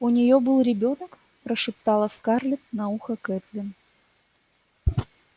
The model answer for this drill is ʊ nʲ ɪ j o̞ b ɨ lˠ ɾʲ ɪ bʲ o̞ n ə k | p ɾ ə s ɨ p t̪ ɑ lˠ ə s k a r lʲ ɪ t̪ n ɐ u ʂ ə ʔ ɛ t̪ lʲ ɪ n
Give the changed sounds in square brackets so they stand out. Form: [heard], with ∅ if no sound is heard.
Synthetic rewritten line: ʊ nʲ ɪ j o̞ b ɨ lˠ ɾʲ ɪ bʲ o̞ n ə k | p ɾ ə [ʂ] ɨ p t̪ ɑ lˠ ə s k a r lʲ ɪ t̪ n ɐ u [x] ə [k] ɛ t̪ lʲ ɪ n